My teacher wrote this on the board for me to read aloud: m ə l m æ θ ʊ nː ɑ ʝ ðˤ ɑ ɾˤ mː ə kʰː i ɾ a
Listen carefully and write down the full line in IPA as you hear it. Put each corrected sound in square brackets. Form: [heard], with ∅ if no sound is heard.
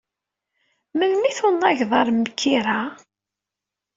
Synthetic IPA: m ə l m [i] θ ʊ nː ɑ ʝ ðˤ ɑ ɾˤ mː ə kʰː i ɾ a